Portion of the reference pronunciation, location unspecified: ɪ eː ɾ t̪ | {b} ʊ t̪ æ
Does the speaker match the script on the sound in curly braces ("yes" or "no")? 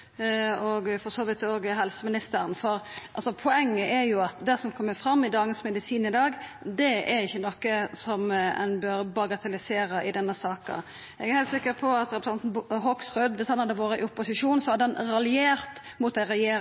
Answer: no